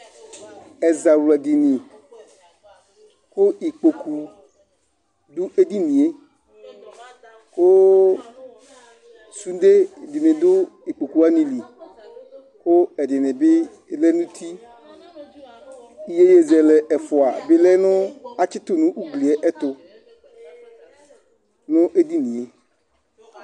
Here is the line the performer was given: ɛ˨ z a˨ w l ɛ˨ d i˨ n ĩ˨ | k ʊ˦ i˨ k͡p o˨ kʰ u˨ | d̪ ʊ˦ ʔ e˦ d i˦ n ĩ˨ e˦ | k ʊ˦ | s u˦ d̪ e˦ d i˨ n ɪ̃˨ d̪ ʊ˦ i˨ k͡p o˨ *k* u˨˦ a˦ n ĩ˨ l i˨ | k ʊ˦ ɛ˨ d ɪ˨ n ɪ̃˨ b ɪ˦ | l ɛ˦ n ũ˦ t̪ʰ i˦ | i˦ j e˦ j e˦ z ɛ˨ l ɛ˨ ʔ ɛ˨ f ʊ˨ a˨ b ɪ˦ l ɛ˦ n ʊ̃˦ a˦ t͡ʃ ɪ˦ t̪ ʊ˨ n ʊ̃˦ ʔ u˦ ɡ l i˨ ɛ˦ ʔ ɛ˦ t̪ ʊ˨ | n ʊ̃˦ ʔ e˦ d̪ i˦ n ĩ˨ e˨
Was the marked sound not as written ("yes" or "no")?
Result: no